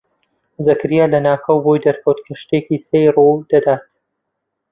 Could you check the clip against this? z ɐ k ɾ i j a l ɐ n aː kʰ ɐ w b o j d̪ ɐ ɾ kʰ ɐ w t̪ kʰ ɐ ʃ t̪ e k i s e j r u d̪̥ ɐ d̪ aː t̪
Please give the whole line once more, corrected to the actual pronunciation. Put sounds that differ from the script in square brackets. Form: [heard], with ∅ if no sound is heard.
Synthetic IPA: z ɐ k ɾ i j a l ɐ n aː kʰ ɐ w b o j d̪ ɐ ɾ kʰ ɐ w t̪ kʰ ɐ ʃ t̪ e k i s e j r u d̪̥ ɐ d̪ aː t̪